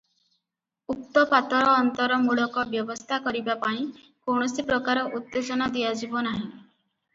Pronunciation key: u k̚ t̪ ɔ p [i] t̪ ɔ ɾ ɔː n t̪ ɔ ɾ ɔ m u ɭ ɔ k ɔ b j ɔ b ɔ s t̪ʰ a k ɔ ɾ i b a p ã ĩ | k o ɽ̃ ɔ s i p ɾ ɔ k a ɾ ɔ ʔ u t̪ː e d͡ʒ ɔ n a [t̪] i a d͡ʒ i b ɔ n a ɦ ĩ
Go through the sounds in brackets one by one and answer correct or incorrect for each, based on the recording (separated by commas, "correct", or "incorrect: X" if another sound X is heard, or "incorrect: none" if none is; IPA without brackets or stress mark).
incorrect: a, incorrect: d̪